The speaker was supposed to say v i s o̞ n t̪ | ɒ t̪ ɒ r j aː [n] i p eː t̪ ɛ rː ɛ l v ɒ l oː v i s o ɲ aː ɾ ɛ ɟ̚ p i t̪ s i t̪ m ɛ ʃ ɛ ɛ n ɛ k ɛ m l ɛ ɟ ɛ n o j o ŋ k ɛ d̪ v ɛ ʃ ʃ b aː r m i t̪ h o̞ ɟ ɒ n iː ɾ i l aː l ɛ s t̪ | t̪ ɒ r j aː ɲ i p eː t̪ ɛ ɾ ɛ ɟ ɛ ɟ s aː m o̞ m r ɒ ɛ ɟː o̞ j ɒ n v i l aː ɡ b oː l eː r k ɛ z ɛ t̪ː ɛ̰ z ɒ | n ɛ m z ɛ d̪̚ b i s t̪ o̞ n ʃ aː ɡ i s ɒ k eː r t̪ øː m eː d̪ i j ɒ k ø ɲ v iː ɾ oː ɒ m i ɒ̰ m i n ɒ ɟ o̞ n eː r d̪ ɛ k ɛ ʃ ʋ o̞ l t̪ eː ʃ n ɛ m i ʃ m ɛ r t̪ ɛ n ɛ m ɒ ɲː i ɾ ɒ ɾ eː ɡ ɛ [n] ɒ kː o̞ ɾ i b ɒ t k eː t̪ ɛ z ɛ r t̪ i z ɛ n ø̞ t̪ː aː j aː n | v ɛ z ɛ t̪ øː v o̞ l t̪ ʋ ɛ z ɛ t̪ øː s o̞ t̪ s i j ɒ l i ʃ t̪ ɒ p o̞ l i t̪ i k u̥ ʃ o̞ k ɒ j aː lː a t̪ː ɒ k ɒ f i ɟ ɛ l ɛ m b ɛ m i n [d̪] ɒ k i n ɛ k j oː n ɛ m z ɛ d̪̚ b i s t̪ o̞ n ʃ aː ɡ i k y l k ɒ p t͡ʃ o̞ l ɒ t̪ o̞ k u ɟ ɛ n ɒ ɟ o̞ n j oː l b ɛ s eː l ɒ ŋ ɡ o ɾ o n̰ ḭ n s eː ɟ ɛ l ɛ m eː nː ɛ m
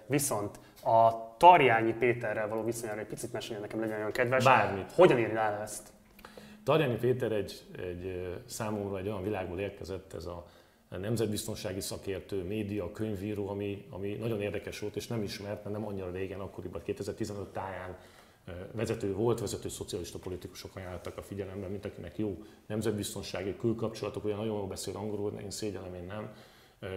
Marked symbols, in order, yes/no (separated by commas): no, yes, no